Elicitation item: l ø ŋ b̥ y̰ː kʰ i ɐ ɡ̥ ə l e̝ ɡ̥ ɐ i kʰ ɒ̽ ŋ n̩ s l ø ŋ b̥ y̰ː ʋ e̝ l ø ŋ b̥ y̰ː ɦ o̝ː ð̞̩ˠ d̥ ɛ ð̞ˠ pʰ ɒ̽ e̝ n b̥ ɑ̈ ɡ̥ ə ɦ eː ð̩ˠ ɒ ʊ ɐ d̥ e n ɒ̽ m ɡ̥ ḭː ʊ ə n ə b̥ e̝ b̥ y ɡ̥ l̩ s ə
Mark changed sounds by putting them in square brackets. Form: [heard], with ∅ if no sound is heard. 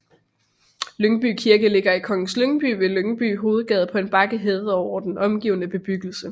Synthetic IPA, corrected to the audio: l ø ŋ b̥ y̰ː kʰ i ɐ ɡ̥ ə l e̝ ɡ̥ ɐ i kʰ ɒ̽ ŋ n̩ s l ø ŋ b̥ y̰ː ʋ e̝ l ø ŋ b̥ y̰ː ɦ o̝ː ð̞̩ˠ [ɡ̥] ɛ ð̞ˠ pʰ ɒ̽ e̝ n b̥ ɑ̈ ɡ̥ ə ɦ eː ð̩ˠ ɒ ʊ ɐ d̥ e n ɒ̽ m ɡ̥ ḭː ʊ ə n ə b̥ e̝ b̥ y ɡ̥ l̩ s ə